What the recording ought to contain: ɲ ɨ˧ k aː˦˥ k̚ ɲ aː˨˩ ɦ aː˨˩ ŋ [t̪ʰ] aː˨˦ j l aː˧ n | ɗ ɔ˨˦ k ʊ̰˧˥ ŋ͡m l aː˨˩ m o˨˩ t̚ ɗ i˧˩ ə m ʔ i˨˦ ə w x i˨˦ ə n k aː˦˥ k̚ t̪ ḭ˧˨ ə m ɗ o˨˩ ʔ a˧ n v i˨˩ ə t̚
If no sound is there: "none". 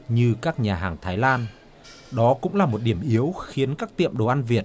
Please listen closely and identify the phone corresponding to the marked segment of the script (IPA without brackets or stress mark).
t̪ʰ